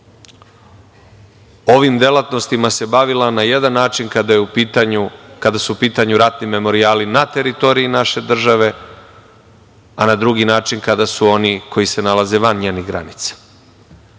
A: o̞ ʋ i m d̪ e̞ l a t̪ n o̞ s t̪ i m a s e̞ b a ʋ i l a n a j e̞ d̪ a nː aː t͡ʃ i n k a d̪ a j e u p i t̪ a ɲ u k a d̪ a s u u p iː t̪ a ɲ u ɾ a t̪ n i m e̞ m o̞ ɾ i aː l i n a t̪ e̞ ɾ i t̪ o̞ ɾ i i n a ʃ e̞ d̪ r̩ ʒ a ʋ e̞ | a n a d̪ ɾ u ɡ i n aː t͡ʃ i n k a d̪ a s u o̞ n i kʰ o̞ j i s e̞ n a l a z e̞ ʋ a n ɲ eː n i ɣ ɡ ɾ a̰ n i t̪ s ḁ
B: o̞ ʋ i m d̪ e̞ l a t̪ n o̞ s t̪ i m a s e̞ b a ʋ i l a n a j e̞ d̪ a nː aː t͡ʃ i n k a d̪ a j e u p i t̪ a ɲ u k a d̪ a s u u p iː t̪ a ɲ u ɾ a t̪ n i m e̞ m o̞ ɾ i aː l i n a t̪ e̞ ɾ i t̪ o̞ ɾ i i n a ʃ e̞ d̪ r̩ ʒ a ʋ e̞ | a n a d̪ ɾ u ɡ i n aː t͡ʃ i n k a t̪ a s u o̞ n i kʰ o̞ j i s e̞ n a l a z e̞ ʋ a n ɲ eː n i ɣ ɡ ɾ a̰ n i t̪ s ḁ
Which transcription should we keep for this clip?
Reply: A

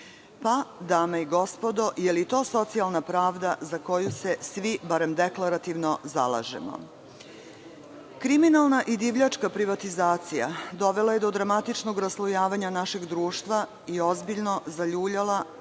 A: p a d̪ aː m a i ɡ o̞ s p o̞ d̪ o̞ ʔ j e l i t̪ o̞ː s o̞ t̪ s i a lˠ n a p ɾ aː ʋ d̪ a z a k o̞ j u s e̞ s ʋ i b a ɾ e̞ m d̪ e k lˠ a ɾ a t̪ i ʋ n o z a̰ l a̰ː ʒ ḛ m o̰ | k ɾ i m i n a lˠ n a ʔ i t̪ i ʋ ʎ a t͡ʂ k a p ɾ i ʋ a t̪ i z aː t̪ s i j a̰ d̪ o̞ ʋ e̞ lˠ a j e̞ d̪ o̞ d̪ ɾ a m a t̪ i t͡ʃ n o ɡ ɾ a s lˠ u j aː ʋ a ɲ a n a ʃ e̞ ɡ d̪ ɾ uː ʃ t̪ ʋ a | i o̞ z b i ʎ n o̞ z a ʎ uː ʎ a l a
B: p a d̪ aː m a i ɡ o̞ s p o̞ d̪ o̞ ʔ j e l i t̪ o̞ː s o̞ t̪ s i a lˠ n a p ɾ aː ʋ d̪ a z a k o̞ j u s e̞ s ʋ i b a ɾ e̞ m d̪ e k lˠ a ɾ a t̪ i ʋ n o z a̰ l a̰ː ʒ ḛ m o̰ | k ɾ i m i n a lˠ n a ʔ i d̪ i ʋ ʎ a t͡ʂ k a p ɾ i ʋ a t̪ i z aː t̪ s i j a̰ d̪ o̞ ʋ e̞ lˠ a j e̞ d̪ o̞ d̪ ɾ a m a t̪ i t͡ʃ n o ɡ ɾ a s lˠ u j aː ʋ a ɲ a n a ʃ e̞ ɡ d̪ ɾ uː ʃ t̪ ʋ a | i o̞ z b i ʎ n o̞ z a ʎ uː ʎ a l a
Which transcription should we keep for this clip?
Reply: B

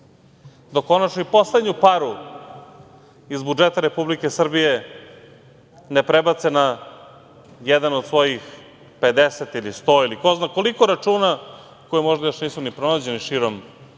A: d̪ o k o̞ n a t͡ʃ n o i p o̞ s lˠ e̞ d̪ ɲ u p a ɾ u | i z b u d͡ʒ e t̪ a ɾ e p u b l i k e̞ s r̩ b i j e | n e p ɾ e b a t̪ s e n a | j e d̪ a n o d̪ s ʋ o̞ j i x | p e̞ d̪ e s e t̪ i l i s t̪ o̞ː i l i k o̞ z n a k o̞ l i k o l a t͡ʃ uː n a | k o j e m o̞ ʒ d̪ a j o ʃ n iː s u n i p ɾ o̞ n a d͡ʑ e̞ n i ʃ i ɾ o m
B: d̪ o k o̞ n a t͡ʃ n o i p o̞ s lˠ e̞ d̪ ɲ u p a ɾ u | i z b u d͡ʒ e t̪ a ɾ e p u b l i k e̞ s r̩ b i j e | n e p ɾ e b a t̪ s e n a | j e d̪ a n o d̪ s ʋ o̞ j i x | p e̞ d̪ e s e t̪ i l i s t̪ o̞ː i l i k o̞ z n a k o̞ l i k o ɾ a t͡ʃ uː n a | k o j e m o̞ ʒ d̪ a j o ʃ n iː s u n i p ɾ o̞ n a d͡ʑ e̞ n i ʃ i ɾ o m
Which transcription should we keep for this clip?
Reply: B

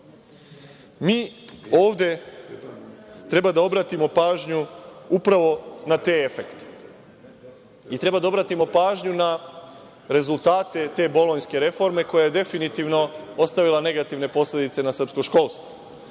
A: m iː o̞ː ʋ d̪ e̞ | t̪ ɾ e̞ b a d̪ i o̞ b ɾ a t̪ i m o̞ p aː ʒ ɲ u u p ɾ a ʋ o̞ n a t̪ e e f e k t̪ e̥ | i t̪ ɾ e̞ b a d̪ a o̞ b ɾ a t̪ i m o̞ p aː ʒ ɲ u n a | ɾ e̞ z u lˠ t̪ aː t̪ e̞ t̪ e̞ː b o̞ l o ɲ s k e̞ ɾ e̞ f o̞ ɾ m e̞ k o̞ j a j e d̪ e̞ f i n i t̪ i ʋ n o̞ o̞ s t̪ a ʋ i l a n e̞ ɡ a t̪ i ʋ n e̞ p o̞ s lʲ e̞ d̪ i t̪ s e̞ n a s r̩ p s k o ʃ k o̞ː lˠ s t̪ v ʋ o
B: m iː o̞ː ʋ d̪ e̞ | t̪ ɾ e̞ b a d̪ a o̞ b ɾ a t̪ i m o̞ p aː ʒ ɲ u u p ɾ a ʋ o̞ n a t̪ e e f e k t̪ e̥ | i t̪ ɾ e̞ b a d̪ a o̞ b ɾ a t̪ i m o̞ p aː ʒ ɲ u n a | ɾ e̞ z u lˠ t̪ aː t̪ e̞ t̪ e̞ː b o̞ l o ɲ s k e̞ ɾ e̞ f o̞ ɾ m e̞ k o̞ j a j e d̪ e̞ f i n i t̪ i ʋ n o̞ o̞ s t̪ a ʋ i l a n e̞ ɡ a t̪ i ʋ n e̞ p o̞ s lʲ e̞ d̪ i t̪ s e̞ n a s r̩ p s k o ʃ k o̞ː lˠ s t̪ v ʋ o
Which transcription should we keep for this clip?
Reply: B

